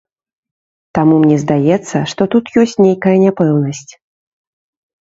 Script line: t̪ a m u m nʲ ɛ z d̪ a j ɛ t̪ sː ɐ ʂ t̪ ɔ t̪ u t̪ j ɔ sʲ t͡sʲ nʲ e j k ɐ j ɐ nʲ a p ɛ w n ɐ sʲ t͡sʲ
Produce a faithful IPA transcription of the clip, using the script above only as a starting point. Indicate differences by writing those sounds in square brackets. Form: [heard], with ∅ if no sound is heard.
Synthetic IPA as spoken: t̪ a m u m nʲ ɛ z d̪ a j ɛ t̪ sː ɐ ʂ t̪ ɔ t̪ u t̪ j ɔ sʲ t͡sʲ nʲ e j k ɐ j ɐ nʲ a p ɛ w n ɐ sʲ t͡sʲ